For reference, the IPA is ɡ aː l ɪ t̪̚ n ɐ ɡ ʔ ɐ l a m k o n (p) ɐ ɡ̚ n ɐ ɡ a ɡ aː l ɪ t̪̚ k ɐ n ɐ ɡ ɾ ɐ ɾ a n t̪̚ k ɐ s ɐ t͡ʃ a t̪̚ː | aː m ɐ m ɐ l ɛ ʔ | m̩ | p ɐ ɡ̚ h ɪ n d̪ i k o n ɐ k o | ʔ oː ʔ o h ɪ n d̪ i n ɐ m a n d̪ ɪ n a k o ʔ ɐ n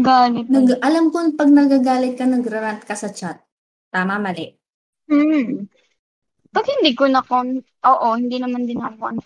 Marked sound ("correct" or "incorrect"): correct